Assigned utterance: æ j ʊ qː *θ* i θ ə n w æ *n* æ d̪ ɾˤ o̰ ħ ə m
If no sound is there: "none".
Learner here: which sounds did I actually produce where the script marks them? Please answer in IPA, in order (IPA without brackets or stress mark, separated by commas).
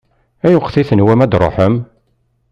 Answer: θ, m